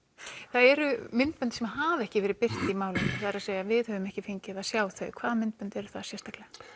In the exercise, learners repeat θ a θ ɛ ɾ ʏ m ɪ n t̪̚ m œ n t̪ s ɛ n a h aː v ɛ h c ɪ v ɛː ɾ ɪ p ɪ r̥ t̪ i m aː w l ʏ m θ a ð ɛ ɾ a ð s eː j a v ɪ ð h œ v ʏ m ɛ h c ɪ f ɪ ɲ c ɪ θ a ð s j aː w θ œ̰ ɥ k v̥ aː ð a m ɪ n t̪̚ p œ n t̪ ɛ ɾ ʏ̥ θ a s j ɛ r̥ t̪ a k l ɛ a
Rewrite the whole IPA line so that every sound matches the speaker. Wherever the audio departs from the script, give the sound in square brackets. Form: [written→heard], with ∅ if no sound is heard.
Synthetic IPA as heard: θ a [θ→ð] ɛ ɾ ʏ m ɪ n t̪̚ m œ n t̪ s ɛ [n→m] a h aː v ɛ h c ɪ v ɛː ɾ ɪ p ɪ r̥ t̪ i m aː w l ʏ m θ a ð ɛ ɾ a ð s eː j a v ɪ ð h œ v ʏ m ɛ h c ɪ f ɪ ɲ c ɪ [θ→ð] a ð s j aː w θ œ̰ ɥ [k→kʰ] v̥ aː ð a m ɪ n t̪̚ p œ n t̪ ɛ ɾ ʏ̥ θ a s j ɛ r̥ t̪ a k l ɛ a